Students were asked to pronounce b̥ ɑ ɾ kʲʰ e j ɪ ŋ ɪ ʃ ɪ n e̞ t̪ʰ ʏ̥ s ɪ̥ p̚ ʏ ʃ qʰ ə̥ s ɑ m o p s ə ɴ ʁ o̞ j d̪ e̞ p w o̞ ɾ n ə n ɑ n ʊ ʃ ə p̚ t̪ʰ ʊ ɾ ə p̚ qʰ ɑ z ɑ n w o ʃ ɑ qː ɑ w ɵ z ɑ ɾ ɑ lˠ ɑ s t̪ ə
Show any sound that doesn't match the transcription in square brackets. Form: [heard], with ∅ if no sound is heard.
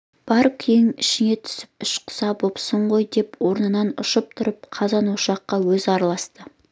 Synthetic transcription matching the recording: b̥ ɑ ɾ kʲʰ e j ɪ ŋ ɪ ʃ ɪ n e̞ t̪ʰ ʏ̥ s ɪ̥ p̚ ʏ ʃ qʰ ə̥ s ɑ [b] o p s ə ɴ ʁ o̞ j d̪ e̞ p w o̞ ɾ n ə n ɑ n ʊ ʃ ə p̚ t̪ʰ ʊ ɾ ə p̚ qʰ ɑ z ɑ n w o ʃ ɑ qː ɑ w ɵ z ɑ ɾ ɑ lˠ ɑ s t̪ ə